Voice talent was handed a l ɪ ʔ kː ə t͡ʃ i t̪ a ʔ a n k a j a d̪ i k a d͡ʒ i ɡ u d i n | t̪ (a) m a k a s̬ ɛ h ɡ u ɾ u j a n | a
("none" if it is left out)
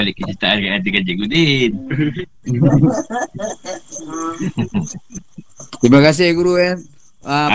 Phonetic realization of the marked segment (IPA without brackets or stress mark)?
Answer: i